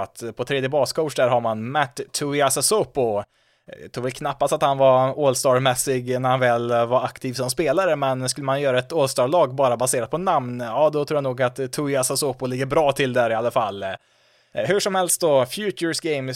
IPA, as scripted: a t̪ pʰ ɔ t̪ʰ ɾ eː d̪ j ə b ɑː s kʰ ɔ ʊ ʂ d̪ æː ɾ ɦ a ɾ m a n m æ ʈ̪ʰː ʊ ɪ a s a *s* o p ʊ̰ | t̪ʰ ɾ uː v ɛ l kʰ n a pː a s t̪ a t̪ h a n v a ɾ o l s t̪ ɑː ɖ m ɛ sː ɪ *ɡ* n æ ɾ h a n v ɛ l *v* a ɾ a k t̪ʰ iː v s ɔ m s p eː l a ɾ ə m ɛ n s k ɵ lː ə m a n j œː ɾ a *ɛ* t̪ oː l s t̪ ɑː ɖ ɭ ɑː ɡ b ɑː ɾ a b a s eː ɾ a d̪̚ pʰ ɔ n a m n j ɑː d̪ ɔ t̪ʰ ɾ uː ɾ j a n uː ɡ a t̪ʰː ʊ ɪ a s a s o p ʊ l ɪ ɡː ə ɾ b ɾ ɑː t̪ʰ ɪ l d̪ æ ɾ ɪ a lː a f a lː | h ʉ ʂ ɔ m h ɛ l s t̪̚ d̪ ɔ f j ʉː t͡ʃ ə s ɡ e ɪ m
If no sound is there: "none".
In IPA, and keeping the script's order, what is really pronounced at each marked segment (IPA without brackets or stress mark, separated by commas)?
s, ɡ, v, ɛ